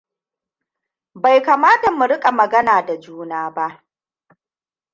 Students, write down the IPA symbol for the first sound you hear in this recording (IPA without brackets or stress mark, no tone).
b